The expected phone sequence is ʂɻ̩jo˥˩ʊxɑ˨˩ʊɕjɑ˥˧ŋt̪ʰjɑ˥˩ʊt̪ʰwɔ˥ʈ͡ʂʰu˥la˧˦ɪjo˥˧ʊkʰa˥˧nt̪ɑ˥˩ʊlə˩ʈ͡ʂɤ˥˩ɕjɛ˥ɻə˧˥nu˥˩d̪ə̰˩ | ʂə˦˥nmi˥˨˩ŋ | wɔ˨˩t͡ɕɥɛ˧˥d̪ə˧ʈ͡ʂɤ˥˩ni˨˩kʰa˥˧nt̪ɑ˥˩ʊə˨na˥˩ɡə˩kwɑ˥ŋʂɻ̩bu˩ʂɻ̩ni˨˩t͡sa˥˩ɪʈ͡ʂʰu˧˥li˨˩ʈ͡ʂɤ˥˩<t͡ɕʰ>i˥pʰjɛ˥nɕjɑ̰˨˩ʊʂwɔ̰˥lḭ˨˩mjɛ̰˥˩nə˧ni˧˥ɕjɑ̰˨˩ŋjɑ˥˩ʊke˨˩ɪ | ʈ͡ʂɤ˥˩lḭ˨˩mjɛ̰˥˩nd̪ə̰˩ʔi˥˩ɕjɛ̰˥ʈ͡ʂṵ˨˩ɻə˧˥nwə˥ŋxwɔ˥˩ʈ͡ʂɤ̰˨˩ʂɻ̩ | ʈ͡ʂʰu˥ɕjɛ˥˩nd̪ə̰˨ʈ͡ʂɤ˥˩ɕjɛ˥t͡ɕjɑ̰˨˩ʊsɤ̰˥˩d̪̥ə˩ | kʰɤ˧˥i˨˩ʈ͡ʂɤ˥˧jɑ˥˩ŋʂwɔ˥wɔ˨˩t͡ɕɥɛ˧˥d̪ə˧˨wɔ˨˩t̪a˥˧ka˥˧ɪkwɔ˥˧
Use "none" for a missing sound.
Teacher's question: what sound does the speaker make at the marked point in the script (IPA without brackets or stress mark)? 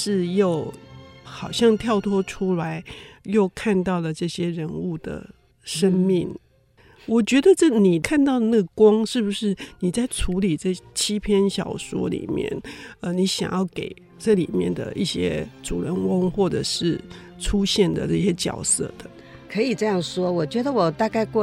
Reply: t͡ɕʰ